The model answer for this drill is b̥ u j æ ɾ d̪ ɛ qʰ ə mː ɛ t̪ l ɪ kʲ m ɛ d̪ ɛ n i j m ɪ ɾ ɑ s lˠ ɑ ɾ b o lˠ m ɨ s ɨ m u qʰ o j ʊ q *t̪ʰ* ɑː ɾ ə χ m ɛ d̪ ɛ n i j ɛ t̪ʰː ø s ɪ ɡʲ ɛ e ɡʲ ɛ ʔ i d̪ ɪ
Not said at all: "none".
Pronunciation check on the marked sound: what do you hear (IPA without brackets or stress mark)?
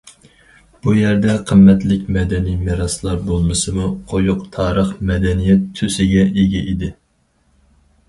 t̪ʰ